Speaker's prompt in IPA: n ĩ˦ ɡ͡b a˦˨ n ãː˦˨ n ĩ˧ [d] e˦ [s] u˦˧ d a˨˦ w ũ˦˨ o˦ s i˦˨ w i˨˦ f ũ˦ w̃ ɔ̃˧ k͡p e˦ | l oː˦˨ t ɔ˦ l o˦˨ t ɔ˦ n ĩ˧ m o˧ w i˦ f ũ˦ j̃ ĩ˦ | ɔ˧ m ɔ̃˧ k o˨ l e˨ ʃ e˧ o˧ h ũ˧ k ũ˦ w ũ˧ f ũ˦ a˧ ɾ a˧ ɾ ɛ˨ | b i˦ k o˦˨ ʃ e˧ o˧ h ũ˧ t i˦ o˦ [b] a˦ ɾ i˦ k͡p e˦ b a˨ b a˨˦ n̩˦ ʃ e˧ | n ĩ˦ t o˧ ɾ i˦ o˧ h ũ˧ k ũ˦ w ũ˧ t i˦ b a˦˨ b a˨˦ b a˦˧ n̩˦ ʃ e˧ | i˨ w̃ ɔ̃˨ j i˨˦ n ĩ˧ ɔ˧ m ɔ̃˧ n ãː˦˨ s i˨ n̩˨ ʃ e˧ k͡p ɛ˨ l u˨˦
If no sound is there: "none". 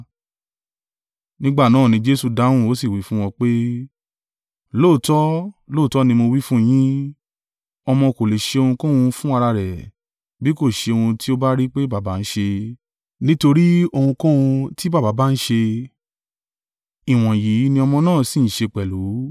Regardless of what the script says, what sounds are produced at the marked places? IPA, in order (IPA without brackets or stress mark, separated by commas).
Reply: d͡ʒ, s, b